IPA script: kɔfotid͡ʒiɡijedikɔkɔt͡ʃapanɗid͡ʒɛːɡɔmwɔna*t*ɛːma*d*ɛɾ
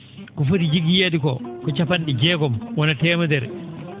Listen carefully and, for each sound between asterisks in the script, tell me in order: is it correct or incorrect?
correct, correct

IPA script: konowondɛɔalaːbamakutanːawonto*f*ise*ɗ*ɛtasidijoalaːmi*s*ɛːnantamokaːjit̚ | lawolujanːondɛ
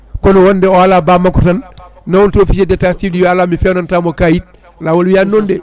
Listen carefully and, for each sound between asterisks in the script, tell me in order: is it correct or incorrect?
correct, incorrect, incorrect

